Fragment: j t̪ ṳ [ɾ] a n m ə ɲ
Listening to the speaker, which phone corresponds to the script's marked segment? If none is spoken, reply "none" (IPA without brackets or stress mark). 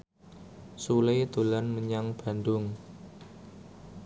l